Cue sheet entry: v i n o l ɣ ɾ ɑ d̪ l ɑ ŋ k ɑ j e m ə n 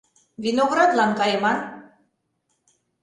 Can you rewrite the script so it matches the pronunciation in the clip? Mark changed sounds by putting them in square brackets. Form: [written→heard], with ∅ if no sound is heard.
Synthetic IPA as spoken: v i n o [l→∅] ɣ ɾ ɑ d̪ l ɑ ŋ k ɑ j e m [ə→ɑ] n